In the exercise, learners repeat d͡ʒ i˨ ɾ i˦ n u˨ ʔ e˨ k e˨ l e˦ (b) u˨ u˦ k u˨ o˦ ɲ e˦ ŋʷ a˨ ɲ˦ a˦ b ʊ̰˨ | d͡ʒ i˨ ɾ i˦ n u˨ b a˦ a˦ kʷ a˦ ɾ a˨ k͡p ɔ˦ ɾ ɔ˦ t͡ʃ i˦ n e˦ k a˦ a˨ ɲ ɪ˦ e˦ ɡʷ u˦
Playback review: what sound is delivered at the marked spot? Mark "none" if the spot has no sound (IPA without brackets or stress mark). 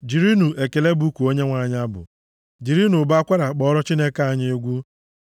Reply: b